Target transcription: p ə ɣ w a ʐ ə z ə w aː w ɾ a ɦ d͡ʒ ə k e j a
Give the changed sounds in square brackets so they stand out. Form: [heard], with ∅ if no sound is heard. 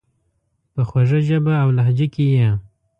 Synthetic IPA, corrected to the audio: p ə [x] w a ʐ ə [ʒ] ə [b] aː w [l] a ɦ d͡ʒ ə k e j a